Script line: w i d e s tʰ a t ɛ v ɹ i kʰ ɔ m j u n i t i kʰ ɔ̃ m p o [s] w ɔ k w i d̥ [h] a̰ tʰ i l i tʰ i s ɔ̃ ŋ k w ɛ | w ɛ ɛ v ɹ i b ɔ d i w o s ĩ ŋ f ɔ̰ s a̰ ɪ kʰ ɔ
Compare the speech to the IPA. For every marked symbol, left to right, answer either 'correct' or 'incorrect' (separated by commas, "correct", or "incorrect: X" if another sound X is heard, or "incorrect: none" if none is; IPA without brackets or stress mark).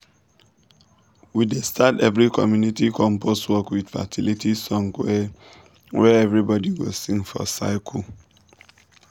correct, incorrect: f